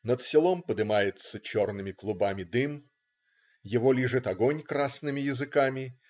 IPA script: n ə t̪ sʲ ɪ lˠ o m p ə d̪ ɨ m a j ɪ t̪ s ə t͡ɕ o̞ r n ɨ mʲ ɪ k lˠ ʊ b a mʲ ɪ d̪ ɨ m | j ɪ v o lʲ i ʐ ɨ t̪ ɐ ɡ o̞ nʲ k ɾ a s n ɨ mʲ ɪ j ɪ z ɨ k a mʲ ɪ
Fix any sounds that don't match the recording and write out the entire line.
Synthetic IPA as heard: n ə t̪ sʲ ɪ lˠ o m p ə d̪ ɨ m a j ɪ t̪ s ə t͡ɕ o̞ r n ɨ mʲ ɪ k lˠ ʊ b a mʲ ɪ d̪ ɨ m | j ɪ v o lʲ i ʐ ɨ t̪ ɐ ɡ o̞ nʲ k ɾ a s n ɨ mʲ ɪ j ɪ z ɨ k a mʲ ɪ